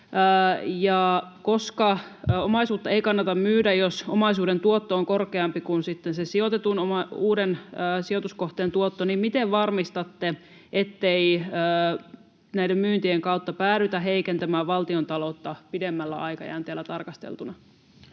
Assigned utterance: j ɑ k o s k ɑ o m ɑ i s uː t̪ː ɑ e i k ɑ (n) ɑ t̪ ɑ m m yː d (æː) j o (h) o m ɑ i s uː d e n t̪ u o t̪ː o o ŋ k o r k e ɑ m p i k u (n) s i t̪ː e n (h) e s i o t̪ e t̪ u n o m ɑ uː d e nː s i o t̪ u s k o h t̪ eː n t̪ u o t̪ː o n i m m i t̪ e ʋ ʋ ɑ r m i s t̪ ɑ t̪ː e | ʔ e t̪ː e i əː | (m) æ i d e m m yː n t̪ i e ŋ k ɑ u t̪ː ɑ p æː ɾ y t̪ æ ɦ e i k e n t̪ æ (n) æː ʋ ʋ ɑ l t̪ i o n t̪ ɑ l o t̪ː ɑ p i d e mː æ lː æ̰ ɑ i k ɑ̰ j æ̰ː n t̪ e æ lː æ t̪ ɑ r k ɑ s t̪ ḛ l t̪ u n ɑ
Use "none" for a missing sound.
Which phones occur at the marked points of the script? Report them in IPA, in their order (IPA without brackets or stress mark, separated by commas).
nː, æ, s, n, s, n, m